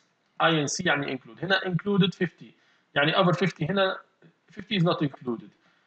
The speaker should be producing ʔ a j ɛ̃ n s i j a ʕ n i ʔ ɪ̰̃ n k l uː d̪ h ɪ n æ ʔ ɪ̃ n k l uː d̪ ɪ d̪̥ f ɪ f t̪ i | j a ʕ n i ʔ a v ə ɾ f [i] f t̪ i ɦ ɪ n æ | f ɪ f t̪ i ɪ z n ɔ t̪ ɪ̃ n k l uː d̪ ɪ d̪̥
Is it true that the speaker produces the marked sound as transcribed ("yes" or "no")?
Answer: no